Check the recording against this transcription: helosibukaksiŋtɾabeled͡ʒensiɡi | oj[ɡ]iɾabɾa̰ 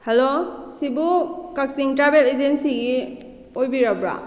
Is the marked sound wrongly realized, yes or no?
yes